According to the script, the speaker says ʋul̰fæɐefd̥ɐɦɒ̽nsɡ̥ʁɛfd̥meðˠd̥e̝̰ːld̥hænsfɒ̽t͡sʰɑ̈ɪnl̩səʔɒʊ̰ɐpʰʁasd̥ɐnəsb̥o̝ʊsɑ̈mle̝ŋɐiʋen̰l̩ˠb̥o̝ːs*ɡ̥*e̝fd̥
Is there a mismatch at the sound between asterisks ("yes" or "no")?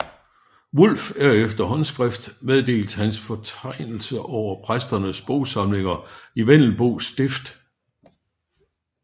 yes